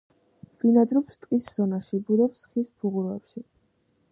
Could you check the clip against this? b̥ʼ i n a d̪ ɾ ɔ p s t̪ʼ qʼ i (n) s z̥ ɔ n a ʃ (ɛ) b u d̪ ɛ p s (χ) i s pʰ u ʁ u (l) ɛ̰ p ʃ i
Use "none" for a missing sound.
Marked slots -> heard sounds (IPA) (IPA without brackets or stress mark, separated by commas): none, i, χ, ɾ